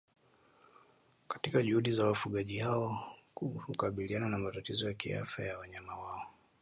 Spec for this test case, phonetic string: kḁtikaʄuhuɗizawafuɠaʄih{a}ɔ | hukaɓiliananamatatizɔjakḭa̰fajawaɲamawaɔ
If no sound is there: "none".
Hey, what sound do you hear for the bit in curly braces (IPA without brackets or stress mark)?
a